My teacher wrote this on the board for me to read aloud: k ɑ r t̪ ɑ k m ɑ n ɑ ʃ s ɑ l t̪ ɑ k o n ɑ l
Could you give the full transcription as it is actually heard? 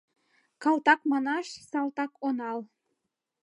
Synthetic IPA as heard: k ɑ l t̪ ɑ k m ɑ n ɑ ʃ s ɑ l t̪ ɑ k o n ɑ l